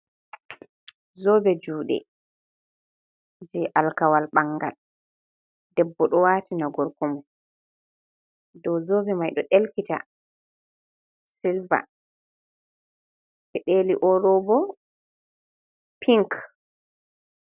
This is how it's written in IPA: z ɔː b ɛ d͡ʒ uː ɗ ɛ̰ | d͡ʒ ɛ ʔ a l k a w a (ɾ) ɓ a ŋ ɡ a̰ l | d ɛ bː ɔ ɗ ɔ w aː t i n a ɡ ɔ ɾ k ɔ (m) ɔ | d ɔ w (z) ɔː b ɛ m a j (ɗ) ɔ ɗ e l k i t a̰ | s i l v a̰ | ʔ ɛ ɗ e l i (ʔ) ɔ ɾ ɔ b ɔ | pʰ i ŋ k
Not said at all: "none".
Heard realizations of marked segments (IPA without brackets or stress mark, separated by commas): l, m, z, ɗ, ʔ